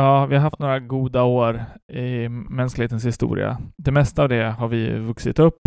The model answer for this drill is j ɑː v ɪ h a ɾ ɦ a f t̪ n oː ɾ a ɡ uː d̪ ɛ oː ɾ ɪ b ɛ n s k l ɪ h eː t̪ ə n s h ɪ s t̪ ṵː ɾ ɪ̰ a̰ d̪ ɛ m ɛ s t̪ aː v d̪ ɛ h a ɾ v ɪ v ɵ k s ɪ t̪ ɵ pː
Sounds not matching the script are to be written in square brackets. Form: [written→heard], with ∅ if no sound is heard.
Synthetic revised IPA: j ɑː v ɪ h a ɾ ɦ a f t̪ n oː ɾ a ɡ uː d̪ [ɛ→a] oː ɾ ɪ [b→m] ɛ n s k l ɪ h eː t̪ ə n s h ɪ s t̪ ṵː ɾ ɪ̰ a̰ d̪ ɛ m ɛ s t̪ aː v d̪ ɛ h a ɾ v ɪ v ɵ k s ɪ t̪ ɵ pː